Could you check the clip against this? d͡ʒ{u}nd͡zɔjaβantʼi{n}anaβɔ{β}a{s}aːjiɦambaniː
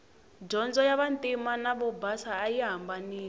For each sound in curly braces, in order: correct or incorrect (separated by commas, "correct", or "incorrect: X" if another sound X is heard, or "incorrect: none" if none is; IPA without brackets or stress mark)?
incorrect: ɔ, incorrect: m, incorrect: b, correct